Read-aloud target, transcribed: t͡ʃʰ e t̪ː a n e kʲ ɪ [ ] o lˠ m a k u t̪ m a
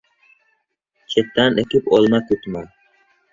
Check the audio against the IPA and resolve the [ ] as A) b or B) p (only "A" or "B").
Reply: B